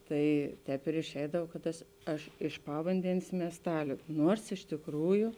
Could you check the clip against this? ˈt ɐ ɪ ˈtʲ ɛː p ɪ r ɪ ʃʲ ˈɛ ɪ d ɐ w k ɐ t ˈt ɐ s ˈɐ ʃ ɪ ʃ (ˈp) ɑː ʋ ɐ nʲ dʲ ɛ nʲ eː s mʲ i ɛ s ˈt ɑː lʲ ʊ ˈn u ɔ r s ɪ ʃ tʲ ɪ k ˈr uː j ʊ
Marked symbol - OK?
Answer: yes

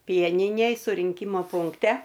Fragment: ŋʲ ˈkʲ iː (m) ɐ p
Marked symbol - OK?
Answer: yes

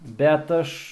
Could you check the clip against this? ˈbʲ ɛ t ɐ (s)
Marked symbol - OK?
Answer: no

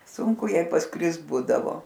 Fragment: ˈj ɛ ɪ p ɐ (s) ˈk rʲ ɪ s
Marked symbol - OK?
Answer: yes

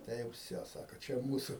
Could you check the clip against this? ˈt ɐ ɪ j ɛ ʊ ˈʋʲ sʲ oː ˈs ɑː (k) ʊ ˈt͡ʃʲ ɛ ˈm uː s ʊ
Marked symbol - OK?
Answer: yes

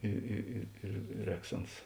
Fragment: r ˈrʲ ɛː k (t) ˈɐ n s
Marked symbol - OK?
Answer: no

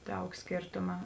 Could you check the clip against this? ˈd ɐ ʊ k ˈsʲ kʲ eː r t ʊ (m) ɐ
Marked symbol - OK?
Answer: yes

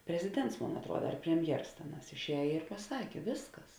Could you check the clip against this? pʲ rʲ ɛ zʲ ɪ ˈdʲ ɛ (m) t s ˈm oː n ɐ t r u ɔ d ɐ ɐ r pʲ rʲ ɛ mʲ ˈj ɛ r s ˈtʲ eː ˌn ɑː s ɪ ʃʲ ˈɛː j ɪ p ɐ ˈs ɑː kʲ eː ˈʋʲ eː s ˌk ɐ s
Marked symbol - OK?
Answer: no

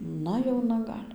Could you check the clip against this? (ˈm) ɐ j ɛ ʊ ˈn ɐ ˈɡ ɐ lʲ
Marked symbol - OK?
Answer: no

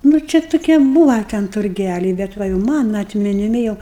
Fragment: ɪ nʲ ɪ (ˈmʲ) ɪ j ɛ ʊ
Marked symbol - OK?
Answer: yes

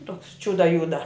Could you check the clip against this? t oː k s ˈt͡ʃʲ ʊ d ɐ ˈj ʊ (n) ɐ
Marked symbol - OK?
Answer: no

